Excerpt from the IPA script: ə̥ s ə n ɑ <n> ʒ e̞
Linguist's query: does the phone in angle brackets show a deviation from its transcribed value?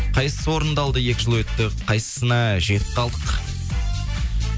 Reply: yes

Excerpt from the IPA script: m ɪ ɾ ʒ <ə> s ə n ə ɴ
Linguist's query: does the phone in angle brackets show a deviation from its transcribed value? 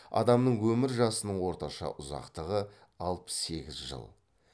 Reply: yes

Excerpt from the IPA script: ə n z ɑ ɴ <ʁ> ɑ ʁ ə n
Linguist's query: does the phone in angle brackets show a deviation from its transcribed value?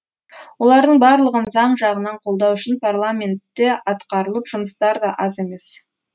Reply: yes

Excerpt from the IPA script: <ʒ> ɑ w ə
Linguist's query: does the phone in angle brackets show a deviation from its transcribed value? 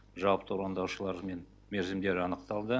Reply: no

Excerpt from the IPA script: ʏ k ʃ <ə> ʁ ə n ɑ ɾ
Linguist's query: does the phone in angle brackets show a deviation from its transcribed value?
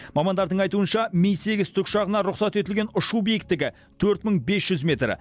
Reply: yes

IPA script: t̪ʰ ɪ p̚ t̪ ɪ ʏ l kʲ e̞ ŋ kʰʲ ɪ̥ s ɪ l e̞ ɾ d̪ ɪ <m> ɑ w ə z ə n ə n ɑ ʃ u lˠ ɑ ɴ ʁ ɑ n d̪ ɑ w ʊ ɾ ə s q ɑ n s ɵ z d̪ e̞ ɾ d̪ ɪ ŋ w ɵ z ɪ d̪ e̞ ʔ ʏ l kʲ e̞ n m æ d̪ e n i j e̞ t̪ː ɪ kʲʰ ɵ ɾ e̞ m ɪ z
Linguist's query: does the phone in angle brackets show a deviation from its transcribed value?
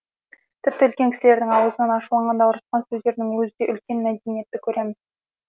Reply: yes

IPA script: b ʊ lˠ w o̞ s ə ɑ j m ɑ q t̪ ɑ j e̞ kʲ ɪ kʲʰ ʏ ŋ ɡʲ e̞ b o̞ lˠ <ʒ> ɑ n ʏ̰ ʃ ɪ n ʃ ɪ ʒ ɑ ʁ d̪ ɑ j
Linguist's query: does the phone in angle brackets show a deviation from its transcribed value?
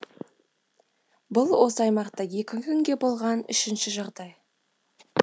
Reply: yes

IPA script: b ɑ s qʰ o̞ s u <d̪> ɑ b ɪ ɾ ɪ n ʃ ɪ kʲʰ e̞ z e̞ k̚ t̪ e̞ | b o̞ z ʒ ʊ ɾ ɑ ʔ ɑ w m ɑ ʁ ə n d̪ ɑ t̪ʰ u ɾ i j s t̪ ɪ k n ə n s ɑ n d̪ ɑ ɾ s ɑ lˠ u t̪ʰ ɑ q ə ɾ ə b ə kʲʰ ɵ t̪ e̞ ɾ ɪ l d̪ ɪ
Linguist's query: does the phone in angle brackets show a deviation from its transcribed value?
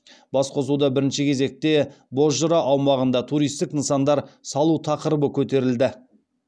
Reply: no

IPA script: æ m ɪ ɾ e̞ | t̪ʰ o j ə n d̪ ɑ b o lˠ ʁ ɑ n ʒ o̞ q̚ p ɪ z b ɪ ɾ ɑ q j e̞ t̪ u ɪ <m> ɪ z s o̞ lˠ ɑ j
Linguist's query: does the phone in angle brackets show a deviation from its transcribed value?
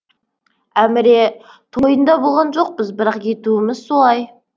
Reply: no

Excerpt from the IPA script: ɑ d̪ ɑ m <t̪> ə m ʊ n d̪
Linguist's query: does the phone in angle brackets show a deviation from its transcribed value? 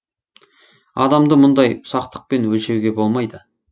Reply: yes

